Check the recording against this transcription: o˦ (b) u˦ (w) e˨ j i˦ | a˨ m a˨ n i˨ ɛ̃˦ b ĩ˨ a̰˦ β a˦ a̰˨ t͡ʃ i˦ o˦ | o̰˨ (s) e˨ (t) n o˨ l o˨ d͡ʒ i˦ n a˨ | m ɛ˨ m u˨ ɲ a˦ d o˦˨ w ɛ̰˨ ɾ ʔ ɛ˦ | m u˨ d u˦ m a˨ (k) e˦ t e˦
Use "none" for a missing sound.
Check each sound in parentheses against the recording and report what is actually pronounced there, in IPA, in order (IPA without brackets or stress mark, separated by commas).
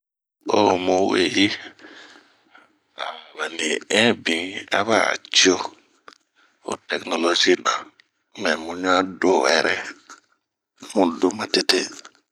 m, w, t, k, t